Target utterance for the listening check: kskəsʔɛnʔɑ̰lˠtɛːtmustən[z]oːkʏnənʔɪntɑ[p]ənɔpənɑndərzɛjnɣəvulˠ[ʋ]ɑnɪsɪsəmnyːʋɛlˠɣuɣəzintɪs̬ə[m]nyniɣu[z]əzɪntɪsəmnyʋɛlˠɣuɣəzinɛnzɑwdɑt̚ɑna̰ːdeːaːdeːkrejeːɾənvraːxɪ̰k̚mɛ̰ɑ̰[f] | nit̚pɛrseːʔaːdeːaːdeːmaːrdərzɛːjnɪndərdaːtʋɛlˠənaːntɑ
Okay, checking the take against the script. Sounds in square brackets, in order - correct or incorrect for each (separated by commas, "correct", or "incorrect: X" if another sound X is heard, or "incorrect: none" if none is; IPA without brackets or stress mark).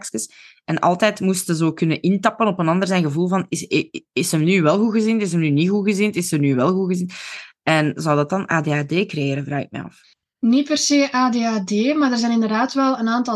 correct, correct, incorrect: v, correct, incorrect: ɣ, correct